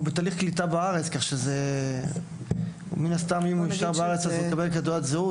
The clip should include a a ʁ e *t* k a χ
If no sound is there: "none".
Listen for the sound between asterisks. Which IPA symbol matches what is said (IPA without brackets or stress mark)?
t͡s